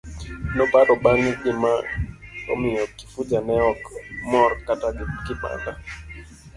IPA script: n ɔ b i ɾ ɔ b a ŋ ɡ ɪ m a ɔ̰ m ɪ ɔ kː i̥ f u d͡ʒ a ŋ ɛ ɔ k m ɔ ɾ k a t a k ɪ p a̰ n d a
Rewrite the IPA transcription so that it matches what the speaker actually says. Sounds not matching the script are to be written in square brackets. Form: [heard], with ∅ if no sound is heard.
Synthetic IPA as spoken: n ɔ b [a] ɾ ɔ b a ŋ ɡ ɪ m a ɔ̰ m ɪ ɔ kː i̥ f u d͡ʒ a [n] ɛ ɔ k m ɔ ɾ k a t a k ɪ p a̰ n d a

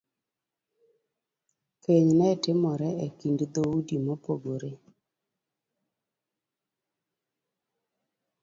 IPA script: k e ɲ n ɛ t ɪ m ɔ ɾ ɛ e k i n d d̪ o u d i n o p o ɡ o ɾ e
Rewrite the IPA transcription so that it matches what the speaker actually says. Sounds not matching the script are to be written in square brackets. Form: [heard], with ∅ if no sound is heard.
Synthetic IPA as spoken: k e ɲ n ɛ t ɪ m ɔ ɾ ɛ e k i n d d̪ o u d i [m] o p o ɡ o ɾ e

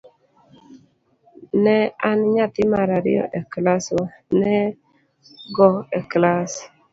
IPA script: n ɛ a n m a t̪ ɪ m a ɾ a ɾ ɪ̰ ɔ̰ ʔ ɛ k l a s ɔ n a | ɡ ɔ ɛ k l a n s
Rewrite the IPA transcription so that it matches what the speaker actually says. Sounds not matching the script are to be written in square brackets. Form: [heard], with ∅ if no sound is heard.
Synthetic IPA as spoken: n ɛ a n [ɲ] a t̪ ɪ m a ɾ a ɾ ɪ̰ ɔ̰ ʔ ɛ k l a s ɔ n [ɛ] | ɡ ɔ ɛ k l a [∅] s

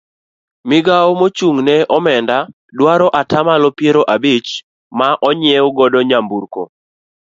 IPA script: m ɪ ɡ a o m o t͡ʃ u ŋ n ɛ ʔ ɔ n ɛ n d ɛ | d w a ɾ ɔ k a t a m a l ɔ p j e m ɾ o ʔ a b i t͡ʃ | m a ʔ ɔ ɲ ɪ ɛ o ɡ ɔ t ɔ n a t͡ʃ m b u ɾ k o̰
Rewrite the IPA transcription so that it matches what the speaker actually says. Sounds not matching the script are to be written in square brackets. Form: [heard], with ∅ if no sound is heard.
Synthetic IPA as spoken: m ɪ ɡ a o m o t͡ʃ u ŋ n ɛ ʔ ɔ [m] ɛ n d [a] | d w a ɾ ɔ [ʔ] a t a m a l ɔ p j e [∅] ɾ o ʔ a b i t͡ʃ | m a ʔ ɔ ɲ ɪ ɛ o ɡ ɔ [d] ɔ [ɲ] a [∅] m b u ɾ k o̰

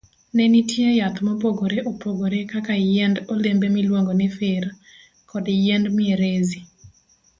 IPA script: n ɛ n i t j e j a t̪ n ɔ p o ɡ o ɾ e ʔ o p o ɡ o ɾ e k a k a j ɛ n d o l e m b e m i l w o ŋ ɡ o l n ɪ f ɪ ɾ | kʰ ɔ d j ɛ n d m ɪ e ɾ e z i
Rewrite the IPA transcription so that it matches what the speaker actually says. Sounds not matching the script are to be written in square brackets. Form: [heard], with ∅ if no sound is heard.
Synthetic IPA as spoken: n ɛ n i t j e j a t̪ [m] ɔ p o ɡ o ɾ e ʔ o p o ɡ o ɾ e k a k a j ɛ n d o l e m b e m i l w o ŋ ɡ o [∅] n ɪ f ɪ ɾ | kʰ ɔ d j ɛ n d m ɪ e ɾ e z i

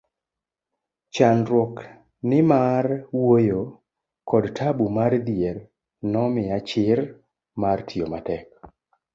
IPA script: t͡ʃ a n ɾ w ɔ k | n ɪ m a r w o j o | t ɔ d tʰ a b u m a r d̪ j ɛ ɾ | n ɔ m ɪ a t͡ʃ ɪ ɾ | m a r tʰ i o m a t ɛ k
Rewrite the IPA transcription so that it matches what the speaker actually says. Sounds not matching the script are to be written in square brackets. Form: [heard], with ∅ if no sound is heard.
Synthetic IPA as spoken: t͡ʃ a n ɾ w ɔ k | n ɪ m a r w o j o | [k] ɔ d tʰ a b u m a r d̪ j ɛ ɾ | n ɔ m ɪ a t͡ʃ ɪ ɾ | m a r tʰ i o m a t ɛ k

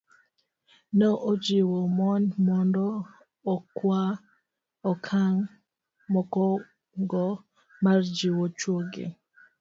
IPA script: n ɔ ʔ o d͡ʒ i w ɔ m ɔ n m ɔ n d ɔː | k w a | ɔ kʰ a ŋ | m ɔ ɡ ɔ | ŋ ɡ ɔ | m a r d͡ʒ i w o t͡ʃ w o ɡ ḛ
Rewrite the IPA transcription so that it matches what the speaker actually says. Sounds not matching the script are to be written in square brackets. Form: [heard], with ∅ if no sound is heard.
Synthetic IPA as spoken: n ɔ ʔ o d͡ʒ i w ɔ m ɔ n m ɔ n d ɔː | k w a | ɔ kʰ a ŋ | m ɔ [k] ɔ | ŋ ɡ ɔ | m a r d͡ʒ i w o t͡ʃ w o ɡ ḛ

